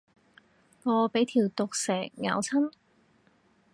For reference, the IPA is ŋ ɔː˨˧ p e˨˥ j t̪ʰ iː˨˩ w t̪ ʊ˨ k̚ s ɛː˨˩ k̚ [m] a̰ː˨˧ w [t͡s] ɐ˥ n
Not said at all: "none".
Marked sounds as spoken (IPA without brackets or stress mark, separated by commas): ŋ, t͡sʰ